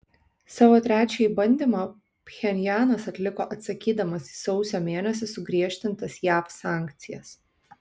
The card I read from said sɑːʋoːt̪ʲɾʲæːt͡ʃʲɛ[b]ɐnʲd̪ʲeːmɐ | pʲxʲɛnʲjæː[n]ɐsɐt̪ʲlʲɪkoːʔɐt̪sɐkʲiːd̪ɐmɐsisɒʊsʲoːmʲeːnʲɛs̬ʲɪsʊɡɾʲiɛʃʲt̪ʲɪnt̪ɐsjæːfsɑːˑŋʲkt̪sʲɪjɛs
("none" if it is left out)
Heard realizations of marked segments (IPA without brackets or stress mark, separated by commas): b, n